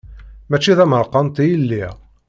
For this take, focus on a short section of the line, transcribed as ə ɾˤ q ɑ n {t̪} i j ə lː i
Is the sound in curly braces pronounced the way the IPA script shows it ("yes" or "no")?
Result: yes